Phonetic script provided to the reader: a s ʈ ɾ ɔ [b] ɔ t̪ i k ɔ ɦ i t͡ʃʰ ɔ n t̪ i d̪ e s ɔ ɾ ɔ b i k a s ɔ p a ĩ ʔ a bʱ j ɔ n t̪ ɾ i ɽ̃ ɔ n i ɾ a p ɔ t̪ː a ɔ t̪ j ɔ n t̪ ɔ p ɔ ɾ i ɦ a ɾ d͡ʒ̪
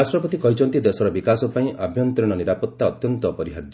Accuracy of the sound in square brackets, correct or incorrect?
incorrect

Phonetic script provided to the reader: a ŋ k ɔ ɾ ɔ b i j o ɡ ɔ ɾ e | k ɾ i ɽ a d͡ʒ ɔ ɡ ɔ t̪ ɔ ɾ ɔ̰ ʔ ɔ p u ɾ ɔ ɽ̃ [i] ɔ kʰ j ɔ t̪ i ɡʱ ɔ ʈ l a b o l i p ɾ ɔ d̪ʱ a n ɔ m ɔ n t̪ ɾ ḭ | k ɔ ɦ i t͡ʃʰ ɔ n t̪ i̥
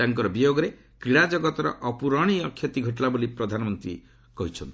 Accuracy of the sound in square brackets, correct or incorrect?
correct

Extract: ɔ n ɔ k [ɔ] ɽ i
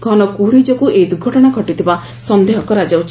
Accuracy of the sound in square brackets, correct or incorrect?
incorrect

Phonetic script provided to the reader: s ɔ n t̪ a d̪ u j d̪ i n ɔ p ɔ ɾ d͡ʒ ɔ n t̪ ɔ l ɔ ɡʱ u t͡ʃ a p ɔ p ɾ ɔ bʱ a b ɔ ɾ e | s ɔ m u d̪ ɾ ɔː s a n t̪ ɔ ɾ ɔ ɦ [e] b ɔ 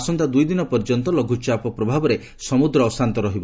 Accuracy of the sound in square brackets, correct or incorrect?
incorrect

